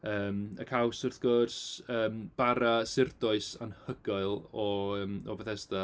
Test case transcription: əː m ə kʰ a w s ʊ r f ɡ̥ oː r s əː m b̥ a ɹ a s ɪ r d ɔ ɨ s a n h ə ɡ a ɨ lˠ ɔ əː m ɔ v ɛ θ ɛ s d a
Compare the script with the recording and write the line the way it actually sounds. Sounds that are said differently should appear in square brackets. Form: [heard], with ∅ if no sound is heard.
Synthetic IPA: əː m ə kʰ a w s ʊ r [θ] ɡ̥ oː r s əː m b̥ a [ɾ] a s ɪ r d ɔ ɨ s a n h ə ɡ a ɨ lˠ ɔ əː m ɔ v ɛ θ ɛ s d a